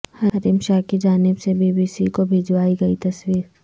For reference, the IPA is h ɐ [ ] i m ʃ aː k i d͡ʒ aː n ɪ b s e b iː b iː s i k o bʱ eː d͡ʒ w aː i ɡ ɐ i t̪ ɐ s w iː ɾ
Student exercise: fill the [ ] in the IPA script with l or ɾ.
ɾ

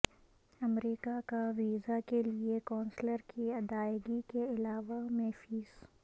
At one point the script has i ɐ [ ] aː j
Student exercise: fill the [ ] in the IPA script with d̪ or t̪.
d̪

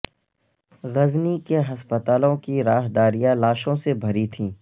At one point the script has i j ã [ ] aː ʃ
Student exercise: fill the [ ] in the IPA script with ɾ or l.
l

